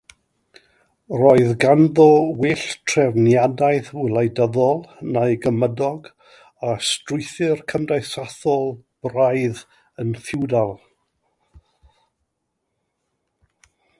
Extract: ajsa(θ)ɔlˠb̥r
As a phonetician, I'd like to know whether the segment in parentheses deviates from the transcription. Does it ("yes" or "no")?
no